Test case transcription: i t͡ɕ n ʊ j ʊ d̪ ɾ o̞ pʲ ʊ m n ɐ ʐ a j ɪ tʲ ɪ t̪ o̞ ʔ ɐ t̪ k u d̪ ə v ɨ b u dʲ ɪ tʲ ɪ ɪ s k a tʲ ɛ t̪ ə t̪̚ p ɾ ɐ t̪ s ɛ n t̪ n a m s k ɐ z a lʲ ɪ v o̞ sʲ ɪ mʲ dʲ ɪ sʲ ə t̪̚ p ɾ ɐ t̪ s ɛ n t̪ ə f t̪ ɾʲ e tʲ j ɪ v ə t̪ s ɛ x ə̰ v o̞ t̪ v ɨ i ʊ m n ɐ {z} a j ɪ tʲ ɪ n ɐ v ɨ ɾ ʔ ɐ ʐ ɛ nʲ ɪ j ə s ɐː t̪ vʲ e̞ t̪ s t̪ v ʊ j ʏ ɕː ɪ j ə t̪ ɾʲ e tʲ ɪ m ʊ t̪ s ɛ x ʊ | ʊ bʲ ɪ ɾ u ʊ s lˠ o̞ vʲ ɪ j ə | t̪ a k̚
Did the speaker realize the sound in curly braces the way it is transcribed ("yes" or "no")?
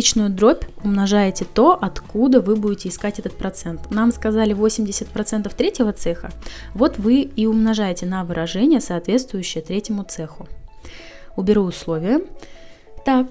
no